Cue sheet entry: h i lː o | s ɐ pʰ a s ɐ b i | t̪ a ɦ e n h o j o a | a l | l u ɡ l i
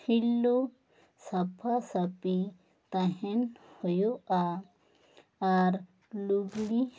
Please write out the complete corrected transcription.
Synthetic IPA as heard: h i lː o | s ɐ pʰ a s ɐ p i | t̪ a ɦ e n h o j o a | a ɾ | l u ɡ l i